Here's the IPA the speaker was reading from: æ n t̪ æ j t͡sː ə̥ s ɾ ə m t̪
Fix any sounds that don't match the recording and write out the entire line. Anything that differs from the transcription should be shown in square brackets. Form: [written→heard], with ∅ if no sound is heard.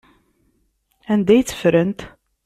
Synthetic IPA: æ n [t̪→d̪] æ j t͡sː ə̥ [s→f] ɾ ə [m→n] t̪